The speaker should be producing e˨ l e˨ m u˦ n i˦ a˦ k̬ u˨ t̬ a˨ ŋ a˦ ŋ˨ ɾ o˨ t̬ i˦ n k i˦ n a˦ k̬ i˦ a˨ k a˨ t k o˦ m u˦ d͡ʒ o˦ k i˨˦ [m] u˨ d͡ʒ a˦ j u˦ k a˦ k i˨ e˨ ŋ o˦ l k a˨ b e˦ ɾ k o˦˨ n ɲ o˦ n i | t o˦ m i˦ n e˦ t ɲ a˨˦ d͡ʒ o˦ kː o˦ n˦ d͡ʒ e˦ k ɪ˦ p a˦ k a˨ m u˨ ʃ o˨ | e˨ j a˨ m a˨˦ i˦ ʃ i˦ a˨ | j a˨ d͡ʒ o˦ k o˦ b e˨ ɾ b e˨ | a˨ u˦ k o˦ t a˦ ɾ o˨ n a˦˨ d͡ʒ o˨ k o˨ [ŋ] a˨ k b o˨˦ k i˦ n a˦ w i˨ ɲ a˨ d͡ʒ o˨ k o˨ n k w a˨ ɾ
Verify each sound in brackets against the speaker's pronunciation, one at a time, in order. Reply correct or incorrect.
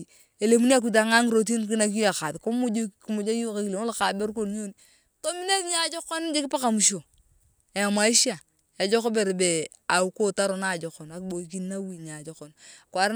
correct, incorrect: n

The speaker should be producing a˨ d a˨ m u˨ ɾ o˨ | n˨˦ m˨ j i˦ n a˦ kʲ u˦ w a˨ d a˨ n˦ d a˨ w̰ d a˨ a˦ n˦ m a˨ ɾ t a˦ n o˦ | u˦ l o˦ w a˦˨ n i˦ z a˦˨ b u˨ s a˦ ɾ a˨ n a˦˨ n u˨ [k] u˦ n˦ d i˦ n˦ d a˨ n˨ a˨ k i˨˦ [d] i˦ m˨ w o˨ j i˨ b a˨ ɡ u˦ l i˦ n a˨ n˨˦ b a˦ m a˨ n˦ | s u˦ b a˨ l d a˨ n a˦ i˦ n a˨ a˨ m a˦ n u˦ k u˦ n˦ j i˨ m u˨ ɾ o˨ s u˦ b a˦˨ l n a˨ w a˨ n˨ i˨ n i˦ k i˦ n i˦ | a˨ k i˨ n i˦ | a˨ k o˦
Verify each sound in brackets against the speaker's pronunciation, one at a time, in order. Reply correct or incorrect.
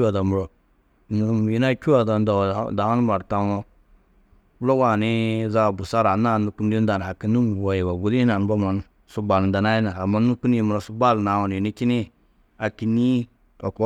correct, incorrect: n

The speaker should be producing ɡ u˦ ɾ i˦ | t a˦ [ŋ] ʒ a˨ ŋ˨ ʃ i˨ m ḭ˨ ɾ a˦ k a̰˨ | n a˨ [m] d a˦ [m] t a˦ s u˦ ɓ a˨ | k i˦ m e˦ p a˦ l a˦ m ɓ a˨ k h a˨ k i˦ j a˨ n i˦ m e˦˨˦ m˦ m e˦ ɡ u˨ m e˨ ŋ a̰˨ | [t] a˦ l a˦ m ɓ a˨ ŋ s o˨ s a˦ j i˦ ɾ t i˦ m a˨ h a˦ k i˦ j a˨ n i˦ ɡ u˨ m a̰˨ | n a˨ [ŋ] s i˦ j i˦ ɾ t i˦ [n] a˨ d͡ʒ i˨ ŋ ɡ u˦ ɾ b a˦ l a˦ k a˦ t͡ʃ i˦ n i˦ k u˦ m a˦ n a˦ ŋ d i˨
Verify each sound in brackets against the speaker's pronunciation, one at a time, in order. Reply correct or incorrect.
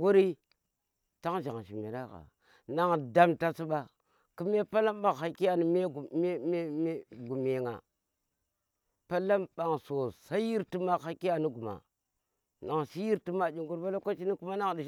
correct, incorrect: ŋ, correct, incorrect: p, correct, incorrect: m

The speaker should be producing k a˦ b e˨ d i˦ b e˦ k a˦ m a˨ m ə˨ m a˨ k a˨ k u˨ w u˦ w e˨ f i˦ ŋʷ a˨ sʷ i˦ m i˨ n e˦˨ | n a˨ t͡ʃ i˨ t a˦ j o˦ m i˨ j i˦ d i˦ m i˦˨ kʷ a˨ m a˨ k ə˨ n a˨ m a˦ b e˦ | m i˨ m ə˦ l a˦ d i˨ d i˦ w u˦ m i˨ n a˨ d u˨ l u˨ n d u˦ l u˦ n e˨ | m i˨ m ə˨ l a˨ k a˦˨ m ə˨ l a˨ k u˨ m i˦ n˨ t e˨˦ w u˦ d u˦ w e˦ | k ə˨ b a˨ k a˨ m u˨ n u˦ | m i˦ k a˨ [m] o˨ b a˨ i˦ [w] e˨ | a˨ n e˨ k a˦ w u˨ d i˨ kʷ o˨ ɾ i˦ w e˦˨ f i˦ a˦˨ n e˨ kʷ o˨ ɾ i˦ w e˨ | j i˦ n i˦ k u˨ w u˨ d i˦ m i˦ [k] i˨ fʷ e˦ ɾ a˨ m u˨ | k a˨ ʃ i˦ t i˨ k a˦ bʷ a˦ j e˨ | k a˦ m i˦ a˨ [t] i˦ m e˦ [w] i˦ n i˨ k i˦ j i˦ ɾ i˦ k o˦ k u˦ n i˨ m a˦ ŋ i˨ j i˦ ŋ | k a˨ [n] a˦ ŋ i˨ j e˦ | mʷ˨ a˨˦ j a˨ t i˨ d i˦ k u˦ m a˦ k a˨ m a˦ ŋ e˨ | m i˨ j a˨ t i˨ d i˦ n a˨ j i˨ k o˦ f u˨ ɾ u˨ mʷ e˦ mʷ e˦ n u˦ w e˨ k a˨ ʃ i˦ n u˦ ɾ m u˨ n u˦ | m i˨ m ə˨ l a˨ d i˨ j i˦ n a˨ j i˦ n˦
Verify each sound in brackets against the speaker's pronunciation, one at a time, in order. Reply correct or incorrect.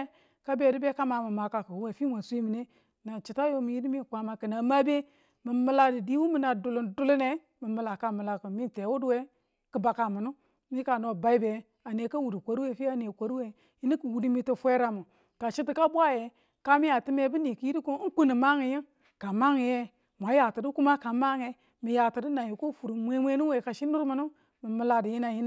incorrect: n, incorrect: b, incorrect: t, correct, incorrect: b, incorrect: m

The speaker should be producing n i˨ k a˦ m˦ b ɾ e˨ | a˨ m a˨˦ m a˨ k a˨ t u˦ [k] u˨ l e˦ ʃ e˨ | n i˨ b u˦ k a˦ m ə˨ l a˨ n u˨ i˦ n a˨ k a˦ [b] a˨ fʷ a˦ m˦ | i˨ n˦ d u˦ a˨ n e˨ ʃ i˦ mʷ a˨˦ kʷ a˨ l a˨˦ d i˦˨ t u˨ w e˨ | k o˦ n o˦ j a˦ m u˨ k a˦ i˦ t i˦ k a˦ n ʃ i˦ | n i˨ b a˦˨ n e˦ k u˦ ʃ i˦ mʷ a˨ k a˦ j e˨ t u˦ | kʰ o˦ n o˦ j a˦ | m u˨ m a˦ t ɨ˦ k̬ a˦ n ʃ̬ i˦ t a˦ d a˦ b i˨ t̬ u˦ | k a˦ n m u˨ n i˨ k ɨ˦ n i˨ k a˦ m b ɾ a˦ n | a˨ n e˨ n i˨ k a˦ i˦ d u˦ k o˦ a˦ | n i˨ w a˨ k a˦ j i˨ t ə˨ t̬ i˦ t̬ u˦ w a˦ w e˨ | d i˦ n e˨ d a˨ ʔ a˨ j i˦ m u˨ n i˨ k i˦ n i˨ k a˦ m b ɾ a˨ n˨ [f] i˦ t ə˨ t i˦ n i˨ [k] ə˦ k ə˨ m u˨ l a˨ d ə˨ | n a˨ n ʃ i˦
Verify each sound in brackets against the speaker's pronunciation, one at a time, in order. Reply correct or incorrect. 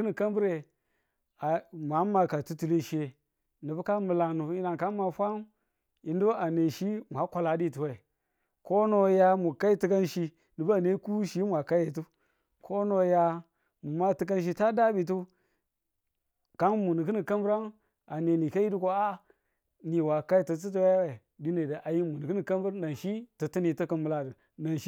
incorrect: t, incorrect: m, incorrect: ʃ, incorrect: t

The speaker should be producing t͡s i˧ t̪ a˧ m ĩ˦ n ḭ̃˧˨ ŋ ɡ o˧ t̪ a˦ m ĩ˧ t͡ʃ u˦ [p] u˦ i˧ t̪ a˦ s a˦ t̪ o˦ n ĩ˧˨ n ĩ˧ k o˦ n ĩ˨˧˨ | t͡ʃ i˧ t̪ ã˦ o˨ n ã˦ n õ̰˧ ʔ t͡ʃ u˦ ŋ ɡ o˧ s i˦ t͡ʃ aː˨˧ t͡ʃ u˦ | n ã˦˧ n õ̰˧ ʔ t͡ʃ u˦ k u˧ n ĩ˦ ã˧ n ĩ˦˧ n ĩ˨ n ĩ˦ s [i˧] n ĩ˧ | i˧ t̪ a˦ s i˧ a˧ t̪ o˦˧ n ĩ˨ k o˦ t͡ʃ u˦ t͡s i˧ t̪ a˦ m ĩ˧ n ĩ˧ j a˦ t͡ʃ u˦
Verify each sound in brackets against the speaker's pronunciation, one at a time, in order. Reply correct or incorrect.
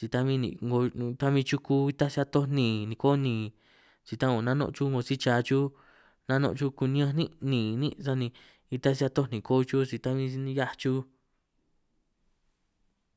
incorrect: k, incorrect: a˧

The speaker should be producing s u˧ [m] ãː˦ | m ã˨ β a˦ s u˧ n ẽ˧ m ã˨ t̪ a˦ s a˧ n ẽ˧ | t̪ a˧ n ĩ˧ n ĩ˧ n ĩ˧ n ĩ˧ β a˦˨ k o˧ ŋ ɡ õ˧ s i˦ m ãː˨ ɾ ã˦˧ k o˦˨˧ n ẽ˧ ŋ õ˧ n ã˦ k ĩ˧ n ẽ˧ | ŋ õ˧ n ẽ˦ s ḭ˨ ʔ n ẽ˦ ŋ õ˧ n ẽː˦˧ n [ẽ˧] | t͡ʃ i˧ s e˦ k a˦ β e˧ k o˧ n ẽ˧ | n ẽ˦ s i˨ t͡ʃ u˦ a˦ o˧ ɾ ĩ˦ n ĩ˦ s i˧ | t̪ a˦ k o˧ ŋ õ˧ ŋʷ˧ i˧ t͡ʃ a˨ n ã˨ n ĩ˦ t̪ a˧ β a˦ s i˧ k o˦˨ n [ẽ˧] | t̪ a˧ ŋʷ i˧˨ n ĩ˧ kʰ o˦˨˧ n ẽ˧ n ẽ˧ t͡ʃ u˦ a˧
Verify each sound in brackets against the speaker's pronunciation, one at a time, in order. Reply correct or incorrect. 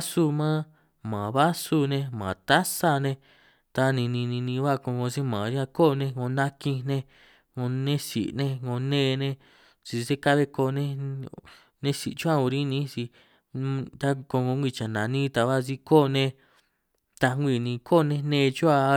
correct, correct, correct

